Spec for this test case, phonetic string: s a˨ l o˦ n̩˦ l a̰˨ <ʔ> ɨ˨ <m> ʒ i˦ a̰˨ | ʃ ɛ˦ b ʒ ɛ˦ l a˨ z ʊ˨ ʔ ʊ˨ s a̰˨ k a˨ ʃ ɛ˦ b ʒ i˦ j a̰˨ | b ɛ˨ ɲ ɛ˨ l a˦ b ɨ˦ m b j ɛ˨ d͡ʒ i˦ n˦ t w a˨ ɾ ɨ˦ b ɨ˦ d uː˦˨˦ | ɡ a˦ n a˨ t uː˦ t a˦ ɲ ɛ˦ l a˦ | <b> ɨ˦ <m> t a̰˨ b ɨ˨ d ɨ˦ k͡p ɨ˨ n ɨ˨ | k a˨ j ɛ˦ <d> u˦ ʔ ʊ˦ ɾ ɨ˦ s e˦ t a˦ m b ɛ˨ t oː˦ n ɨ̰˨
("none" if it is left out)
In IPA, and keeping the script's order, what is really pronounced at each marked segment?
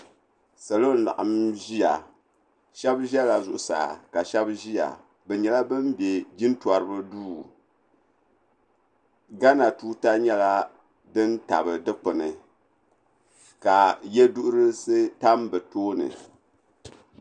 ʔ, m, d, n, d

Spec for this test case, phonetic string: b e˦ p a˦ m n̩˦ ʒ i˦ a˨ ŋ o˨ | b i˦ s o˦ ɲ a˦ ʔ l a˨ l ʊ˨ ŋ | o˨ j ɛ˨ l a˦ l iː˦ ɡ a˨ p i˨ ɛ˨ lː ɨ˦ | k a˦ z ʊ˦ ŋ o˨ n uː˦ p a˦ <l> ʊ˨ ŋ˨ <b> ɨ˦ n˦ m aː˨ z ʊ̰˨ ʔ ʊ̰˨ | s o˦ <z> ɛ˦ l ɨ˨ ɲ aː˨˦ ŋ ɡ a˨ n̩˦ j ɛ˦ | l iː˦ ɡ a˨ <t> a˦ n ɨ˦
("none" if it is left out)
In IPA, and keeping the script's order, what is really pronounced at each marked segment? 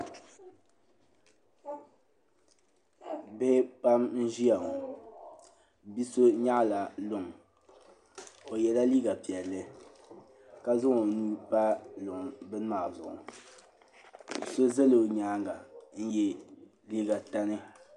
l, b, z, t

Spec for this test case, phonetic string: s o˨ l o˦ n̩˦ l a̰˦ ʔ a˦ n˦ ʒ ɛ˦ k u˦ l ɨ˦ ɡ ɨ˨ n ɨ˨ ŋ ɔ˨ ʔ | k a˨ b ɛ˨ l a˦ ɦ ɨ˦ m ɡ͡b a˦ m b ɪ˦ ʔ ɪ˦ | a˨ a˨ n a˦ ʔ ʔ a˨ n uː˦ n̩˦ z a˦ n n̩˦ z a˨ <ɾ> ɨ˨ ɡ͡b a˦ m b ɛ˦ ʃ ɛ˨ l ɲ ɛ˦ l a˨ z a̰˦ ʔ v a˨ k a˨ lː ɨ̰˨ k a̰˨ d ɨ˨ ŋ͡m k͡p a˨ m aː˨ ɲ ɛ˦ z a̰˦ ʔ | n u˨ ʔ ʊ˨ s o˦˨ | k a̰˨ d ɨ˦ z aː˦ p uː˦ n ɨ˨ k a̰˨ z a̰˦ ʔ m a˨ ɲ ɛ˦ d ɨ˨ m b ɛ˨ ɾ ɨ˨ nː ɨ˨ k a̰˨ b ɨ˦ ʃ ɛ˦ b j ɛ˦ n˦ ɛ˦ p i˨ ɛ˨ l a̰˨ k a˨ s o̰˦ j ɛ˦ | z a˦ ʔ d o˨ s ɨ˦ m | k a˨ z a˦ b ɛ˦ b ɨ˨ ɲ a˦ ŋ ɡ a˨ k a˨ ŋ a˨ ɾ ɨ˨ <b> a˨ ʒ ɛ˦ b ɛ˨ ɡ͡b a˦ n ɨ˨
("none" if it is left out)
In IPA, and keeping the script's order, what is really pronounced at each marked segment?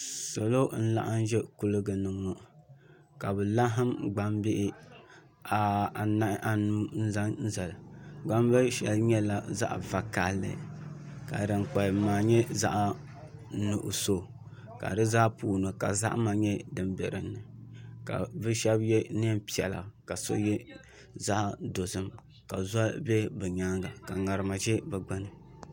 l, m

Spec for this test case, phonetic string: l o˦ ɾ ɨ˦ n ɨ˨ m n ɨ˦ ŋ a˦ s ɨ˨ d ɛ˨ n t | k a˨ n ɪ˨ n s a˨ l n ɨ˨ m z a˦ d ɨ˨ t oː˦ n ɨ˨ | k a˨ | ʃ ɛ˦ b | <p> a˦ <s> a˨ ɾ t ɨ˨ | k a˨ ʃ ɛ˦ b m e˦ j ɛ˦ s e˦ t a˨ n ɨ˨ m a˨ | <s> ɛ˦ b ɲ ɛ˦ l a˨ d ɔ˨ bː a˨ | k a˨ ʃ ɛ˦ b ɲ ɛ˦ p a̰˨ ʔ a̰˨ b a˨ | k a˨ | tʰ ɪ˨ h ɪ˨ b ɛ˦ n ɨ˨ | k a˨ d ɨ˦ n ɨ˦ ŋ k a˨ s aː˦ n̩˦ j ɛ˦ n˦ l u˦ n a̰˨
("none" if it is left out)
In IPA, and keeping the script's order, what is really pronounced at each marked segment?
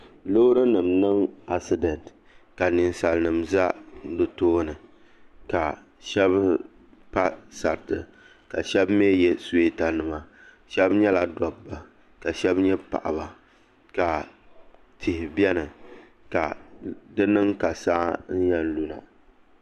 p, s, ʃ

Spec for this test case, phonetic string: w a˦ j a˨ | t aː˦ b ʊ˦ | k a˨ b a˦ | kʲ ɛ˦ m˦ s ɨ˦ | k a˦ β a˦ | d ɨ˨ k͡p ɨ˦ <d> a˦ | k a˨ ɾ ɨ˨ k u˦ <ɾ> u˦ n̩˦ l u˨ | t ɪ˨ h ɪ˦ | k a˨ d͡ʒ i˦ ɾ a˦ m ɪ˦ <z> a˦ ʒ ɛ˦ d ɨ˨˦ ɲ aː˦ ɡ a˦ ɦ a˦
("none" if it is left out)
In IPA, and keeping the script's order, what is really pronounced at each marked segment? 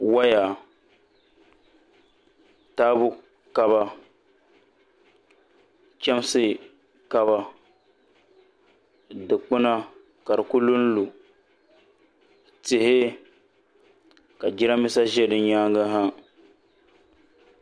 n, l, s

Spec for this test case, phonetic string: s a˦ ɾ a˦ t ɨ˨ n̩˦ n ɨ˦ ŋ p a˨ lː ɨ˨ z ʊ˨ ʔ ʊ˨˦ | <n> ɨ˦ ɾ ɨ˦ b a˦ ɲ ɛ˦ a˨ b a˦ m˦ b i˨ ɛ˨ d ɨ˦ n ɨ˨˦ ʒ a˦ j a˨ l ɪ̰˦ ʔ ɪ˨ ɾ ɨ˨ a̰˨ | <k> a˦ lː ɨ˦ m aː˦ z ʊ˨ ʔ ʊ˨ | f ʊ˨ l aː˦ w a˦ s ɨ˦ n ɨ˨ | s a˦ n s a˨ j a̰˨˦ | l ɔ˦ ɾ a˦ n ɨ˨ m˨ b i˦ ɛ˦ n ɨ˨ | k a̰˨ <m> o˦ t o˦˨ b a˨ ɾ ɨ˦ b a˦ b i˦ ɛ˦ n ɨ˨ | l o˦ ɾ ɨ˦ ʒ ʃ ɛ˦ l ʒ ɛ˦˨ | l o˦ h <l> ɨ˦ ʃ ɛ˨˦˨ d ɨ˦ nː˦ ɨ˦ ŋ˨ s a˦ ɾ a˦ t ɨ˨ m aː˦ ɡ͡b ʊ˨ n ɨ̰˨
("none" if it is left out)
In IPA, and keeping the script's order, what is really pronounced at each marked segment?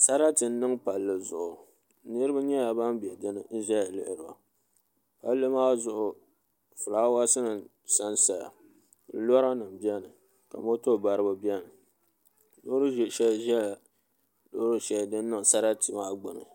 n, p, m, ɾ

